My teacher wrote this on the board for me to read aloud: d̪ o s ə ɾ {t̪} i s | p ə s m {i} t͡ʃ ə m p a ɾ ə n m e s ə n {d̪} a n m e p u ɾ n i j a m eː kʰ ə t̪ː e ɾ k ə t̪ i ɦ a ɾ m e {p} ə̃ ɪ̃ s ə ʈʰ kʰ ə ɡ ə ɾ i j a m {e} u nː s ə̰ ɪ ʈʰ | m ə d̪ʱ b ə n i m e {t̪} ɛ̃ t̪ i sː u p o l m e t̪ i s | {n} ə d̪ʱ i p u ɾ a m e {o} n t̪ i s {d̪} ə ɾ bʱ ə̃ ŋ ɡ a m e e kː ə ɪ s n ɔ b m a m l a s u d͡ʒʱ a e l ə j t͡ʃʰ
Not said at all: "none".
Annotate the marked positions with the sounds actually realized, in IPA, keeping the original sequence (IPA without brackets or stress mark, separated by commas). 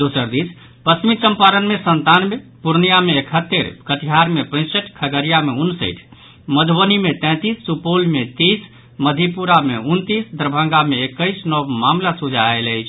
d̪, i, t̪, p, e, t̪, m, u, d̪